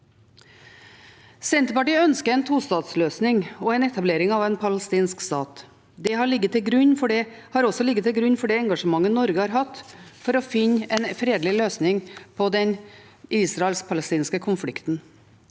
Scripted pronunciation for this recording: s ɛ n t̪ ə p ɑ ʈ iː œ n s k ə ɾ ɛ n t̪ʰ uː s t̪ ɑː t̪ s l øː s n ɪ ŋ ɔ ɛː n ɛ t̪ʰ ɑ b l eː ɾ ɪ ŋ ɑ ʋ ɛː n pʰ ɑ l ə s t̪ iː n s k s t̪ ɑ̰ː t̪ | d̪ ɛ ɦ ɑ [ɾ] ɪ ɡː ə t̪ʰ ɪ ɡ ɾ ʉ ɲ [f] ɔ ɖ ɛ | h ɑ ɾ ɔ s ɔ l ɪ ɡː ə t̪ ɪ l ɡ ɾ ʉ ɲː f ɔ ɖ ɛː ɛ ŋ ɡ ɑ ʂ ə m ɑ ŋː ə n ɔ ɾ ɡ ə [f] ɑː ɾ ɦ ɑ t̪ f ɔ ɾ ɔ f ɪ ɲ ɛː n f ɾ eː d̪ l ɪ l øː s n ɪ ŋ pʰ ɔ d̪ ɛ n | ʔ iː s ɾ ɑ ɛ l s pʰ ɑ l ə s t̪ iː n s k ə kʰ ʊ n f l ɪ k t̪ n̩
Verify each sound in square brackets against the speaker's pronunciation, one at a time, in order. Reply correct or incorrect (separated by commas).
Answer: incorrect, correct, incorrect